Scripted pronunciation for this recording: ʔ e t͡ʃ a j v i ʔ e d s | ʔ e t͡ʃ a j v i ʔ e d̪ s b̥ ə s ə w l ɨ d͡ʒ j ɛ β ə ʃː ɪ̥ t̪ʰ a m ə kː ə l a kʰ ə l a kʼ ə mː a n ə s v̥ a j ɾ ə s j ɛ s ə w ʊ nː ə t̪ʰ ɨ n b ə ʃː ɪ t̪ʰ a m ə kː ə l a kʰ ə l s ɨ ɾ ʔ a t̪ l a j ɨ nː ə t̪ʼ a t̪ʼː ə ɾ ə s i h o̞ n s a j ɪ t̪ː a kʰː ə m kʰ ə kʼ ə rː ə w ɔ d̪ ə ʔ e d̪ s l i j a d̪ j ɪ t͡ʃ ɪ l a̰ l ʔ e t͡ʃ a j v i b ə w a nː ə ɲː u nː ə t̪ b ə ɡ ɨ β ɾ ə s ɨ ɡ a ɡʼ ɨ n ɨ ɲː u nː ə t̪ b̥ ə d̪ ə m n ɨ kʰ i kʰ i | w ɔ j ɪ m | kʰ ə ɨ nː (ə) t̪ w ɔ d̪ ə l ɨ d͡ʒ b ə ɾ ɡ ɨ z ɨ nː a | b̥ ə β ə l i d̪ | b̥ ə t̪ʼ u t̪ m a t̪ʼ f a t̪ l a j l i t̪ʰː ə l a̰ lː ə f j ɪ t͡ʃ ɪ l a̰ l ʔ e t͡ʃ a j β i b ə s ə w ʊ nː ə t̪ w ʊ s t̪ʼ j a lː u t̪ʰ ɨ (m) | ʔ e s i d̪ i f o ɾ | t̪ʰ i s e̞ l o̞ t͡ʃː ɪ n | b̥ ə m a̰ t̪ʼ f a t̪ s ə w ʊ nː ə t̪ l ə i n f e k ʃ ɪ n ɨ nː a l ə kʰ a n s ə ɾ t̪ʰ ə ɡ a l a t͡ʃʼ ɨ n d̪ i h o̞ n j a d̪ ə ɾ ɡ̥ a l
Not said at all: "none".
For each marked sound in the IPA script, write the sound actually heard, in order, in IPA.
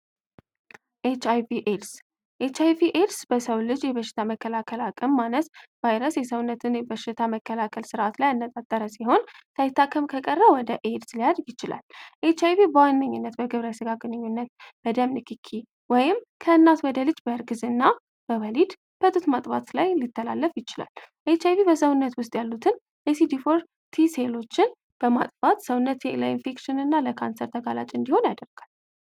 a, n

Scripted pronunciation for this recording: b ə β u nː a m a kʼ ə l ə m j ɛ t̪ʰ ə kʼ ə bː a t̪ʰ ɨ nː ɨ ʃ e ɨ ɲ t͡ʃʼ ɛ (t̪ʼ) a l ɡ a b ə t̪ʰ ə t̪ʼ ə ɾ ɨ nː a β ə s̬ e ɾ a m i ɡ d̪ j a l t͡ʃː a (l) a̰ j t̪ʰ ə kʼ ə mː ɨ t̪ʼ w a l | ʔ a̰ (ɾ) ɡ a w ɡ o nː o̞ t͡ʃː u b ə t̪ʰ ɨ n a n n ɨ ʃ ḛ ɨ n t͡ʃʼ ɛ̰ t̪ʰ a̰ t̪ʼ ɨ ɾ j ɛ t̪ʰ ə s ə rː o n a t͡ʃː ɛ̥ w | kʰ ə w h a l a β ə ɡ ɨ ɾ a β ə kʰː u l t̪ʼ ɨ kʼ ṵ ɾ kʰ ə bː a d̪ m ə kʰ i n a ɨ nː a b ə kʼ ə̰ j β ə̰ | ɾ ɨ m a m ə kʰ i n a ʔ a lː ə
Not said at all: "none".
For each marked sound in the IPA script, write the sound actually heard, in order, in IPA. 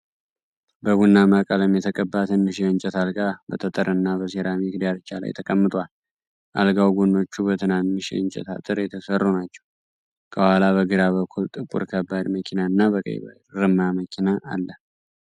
t̪, l, l

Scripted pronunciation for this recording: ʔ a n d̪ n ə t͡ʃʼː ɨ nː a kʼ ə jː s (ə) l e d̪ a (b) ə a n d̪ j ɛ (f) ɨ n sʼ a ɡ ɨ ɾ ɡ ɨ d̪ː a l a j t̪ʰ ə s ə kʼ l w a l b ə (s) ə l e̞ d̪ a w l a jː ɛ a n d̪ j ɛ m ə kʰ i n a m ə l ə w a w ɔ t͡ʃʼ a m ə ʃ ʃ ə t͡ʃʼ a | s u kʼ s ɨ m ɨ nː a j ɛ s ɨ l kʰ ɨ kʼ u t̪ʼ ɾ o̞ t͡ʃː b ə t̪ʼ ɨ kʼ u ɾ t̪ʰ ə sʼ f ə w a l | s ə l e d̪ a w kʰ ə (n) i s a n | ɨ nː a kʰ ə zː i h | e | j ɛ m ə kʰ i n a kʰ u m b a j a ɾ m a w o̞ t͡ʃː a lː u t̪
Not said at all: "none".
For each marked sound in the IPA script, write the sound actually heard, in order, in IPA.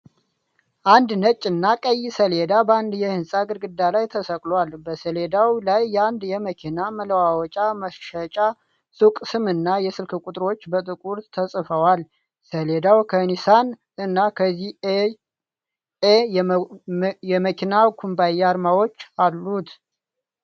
ə, b, h, s, n

